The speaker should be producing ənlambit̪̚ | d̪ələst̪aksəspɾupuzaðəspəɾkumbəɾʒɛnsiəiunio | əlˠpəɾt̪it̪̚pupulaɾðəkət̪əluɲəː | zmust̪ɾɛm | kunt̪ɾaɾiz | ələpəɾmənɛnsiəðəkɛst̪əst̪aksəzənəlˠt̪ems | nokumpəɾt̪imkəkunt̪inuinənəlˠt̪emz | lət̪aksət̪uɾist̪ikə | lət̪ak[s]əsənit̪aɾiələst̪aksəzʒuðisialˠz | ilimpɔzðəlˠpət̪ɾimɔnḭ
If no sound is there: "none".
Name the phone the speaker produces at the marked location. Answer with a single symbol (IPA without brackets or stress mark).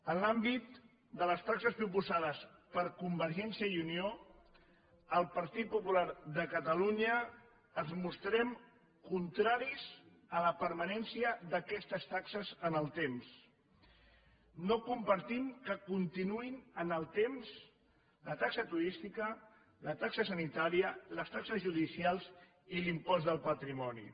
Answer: s